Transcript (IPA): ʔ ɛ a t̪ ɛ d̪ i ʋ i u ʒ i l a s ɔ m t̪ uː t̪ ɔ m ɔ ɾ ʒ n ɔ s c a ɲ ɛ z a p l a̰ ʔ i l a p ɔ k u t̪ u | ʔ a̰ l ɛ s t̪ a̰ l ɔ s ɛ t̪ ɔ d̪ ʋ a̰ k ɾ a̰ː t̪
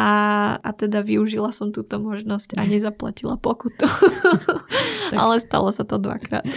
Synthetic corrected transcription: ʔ a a t̪ ɛ d̪ a ʋ i u ʒ i l a s ɔ m t̪ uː t̪ ɔ m ɔ ʒ n ɔ s c a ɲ ɛ z a p l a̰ c i l a p ɔ k u t̪ u | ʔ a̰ l ɛ s t̪ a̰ l ɔ s a t̪ ɔ d̪ ʋ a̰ k ɾ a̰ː t̪